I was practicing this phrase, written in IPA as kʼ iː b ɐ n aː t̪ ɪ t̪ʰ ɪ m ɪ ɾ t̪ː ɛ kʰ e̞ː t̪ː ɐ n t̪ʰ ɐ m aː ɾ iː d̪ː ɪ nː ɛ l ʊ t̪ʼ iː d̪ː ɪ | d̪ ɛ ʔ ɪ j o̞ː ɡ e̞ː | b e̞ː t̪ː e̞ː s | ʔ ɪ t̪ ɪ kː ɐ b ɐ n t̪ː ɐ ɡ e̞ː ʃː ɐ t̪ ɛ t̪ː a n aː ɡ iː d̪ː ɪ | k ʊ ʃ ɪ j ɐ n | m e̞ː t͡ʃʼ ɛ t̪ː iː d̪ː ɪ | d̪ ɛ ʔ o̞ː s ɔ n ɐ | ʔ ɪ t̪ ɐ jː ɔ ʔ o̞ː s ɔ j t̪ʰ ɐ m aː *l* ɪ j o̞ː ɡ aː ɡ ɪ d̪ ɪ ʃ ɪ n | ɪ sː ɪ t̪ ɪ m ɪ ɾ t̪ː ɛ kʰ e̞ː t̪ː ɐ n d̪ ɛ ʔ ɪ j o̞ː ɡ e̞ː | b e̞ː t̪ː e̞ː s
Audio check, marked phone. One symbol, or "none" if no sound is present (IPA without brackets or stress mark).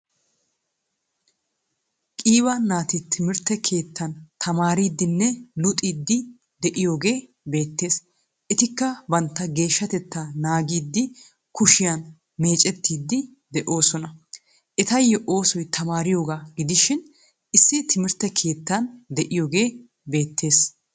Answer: ɾ